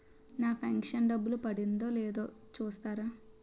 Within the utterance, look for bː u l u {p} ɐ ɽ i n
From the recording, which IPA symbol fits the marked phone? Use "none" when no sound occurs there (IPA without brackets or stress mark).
p